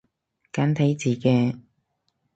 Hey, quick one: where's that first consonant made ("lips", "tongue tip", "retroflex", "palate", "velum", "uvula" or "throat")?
velum